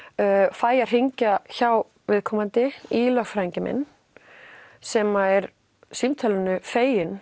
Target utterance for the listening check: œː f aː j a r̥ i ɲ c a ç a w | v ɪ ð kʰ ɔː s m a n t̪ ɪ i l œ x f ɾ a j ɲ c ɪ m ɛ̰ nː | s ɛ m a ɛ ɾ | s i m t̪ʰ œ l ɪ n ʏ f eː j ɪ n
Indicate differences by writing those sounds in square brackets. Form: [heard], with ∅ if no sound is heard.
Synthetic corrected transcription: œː f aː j a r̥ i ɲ c a ç a w | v ɪ ð kʰ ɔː [∅] m a n t̪ ɪ i l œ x f ɾ a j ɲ c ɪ m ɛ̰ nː | s ɛ m a ɛ ɾ | s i m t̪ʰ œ l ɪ n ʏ f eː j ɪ n